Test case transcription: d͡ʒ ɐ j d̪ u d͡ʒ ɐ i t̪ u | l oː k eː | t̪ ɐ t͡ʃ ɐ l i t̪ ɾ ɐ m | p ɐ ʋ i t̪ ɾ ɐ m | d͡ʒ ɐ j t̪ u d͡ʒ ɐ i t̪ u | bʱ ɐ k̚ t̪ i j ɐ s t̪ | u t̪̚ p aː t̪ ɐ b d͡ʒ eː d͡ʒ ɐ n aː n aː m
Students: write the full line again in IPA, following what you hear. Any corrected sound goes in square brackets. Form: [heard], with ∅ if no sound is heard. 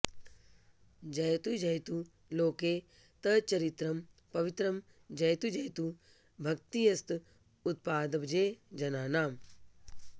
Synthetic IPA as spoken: d͡ʒ ɐ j [t̪] u d͡ʒ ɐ [j] t̪ u | l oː k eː | t̪ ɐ t͡ʃ ɐ [ɾ] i t̪ ɾ ɐ m | p ɐ ʋ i t̪ ɾ ɐ m | d͡ʒ ɐ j t̪ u d͡ʒ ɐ [j] t̪ u | bʱ ɐ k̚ t̪ i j ɐ s t̪ | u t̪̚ p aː [d̪] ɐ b d͡ʒ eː d͡ʒ ɐ n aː n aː m